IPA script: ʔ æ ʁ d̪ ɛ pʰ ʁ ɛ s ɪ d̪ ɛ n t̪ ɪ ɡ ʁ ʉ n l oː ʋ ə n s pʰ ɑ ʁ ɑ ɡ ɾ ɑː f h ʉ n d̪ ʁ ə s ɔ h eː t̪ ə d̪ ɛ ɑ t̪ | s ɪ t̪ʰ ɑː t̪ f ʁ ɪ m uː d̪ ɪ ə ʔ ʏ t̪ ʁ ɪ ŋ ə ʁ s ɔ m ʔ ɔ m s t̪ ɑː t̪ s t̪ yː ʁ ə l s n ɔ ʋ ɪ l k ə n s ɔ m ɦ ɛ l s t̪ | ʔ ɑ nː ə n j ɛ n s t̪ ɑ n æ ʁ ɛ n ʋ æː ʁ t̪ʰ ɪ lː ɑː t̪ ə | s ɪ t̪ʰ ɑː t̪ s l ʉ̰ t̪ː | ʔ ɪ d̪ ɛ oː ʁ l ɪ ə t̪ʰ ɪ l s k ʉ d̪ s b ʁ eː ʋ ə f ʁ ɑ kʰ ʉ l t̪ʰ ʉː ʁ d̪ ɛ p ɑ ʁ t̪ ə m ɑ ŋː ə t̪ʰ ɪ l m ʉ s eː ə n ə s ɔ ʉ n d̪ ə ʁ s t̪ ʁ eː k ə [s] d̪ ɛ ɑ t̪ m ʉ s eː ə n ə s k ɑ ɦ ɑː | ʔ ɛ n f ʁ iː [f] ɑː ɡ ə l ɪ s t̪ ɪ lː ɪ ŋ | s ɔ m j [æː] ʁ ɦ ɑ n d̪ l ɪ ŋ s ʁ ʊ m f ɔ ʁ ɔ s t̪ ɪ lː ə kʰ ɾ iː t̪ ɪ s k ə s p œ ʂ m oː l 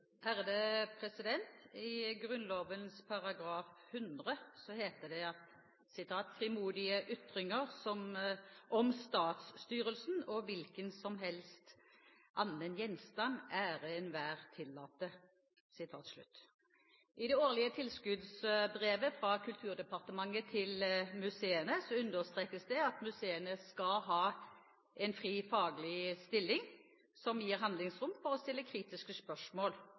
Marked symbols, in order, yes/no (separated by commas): yes, yes, no